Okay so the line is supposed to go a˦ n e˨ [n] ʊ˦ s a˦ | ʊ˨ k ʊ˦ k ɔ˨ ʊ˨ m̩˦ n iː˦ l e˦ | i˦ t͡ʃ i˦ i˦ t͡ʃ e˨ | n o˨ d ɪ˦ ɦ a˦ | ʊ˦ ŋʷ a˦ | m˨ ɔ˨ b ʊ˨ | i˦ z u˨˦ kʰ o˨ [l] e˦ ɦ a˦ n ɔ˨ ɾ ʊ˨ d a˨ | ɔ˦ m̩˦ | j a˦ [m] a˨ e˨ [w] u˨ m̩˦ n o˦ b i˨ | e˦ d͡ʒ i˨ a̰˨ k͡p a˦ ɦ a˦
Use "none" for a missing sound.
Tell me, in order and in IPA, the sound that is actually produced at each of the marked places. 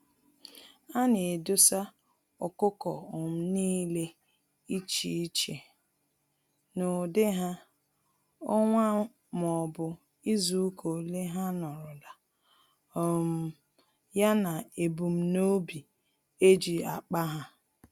d, l, n, b

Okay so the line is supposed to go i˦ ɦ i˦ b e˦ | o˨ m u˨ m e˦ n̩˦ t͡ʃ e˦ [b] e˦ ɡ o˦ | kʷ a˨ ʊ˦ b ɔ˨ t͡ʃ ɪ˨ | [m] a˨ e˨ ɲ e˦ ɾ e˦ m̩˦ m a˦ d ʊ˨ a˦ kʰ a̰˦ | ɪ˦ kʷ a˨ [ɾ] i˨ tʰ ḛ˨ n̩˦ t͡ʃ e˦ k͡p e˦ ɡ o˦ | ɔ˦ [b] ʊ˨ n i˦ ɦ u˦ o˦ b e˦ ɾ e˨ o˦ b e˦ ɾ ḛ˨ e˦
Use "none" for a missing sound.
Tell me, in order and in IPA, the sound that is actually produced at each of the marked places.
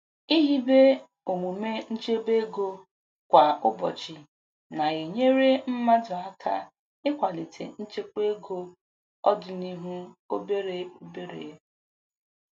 b, n, l, d

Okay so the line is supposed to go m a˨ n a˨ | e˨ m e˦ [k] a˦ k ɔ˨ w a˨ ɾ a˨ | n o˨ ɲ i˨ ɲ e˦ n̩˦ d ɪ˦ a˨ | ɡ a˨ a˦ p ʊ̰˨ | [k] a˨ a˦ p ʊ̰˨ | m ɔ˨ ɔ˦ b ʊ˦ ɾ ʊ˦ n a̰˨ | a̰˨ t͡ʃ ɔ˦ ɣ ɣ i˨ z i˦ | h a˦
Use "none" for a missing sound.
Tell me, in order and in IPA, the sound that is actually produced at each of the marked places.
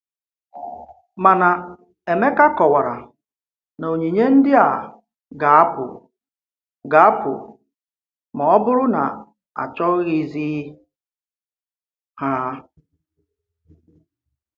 k, ɡ

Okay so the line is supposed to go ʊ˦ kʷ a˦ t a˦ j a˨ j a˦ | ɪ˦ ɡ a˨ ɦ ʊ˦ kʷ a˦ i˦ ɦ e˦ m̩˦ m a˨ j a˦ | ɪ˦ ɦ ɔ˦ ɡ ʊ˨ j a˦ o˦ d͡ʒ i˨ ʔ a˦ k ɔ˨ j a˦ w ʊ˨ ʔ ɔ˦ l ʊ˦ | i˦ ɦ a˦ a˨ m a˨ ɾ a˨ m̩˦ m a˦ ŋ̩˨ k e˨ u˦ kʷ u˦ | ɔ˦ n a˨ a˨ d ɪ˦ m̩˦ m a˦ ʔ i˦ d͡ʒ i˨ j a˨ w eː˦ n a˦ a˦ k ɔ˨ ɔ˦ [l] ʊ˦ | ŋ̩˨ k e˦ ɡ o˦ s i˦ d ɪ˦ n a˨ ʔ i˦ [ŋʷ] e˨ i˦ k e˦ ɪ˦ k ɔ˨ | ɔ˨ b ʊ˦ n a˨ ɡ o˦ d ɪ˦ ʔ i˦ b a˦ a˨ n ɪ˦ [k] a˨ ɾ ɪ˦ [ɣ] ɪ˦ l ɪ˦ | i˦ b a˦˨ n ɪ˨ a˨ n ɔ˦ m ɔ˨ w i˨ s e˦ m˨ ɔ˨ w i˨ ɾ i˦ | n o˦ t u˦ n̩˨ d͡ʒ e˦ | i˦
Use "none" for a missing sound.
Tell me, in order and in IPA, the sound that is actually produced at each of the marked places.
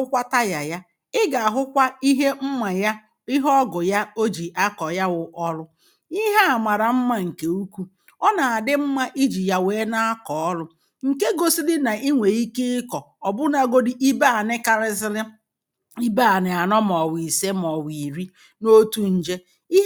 l, ŋʷ, k, z

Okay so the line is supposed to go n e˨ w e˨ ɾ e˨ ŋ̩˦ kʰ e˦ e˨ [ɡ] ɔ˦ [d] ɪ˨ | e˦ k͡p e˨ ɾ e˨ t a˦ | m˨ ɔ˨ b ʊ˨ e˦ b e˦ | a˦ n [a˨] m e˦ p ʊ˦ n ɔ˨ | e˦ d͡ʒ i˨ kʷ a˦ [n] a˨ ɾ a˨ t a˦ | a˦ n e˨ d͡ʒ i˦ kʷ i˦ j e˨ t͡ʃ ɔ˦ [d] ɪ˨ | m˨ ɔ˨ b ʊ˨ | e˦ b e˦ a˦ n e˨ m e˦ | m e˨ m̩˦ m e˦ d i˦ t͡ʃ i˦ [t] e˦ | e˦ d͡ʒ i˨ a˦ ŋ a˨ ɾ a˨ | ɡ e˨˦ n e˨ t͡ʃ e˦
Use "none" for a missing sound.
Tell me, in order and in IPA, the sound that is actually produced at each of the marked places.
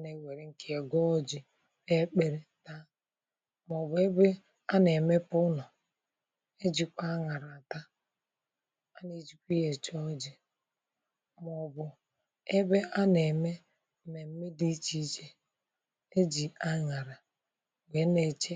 ɡ, d͡ʒ, e˨, ŋ, d͡ʒ, t͡ʃ

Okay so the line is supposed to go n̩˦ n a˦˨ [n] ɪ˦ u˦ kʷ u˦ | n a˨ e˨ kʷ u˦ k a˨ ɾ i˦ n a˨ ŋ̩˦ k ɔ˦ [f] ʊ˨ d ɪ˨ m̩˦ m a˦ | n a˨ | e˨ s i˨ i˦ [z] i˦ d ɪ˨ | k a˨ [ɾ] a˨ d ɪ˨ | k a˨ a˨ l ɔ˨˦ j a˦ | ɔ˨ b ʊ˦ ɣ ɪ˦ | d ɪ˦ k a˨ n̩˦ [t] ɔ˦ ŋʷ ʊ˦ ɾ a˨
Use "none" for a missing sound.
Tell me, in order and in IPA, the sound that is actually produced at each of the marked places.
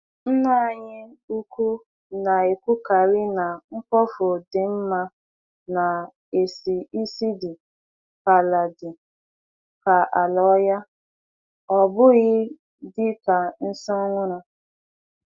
ɲ, f, s, l, s

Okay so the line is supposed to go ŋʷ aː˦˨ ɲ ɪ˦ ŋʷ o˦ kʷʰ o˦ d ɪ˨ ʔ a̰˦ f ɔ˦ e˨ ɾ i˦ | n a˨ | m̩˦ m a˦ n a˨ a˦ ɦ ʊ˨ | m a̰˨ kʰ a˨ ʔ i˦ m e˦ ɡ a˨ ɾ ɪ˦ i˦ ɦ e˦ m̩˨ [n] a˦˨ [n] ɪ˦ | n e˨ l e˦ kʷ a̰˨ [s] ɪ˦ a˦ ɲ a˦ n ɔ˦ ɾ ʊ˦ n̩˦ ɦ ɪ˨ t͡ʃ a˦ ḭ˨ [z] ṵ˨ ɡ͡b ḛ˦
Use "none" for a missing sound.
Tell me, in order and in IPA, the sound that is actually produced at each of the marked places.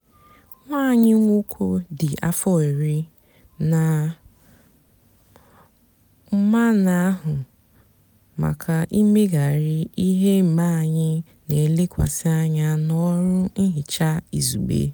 m, ɲ, s, z

